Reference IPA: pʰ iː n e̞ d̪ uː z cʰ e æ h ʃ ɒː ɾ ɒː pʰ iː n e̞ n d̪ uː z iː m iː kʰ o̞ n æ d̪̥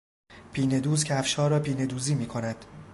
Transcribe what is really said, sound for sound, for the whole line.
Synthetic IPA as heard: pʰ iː n e̞ d̪ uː z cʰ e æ f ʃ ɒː ɾ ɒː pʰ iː n e̞ d̪ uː z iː m iː kʰ o̞ n æ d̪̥